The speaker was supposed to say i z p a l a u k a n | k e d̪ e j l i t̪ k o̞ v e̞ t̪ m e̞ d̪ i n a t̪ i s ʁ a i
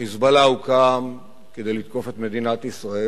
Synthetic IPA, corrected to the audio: i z b a l a u k a m | k e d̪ e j l i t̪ k o̞ f e̞ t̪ m e̞ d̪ i n a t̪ i s ʁ a e